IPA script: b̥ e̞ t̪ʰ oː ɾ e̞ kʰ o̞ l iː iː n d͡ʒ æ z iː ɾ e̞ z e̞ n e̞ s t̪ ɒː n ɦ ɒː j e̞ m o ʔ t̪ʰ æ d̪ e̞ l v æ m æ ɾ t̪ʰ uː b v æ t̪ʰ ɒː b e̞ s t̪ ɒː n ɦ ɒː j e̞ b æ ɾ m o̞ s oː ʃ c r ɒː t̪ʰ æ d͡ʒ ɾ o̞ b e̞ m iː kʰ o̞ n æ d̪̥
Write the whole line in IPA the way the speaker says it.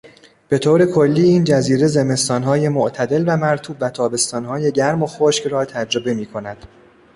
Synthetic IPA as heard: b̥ e̞ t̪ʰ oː ɾ e̞ kʰ o̞ lː iː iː n d͡ʒ æ z iː ɾ e̞ z e̞ m e̞ s t̪ ɒː n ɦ ɒː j e̞ m o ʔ t̪ʰ æ d̪ e̞ l v æ m æ ɾ t̪ʰ uː b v æ t̪ʰ ɒː b e̞ s t̪ ɒː n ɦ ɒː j e̞ ɟ æ ɾ m o̞ x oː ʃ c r ɒː t̪ʰ æ d͡ʒ ɾ o̞ b e̞ m iː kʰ o̞ n æ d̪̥